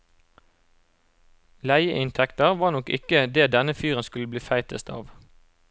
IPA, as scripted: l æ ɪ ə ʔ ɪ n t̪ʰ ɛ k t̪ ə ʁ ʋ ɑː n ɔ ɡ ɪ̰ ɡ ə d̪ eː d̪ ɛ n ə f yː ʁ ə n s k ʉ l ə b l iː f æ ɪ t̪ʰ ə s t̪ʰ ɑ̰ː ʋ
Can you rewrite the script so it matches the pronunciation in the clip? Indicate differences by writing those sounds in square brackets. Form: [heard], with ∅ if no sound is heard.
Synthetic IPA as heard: l æ ɪ ə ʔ ɪ n t̪ʰ ɛ k t̪ ə ʁ ʋ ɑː n ɔ [k] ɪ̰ [k] ə d̪ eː d̪ ɛ n ə f yː ʁ ə n s k ʉ l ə b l iː f æ ɪ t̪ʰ ə s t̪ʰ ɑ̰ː ʋ